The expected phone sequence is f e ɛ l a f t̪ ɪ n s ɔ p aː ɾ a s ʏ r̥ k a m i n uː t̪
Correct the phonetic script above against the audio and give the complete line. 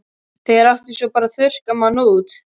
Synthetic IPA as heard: θ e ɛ ɾ a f t̪ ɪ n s ɔ p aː ɾ a θ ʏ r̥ k a m a n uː t̪